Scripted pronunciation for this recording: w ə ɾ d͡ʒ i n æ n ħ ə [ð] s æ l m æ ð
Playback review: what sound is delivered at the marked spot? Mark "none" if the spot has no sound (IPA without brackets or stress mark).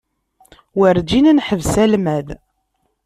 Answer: v